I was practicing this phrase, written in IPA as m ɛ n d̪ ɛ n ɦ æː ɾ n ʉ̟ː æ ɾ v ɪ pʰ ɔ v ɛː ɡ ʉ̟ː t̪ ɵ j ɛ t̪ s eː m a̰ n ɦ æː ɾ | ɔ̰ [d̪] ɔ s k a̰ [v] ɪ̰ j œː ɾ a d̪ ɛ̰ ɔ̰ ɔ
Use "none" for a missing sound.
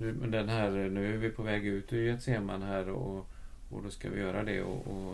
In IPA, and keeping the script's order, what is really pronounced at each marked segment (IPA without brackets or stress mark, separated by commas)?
d̪, v